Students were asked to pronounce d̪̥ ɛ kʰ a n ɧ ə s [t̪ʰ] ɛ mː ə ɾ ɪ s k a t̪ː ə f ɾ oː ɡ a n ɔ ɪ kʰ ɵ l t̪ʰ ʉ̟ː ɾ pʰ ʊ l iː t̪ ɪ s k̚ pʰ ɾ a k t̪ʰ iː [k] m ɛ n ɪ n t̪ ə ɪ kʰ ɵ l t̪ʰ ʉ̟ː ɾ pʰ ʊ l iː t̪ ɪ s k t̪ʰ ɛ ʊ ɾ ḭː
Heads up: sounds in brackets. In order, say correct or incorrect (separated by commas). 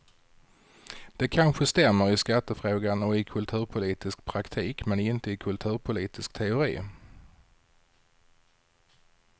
incorrect, correct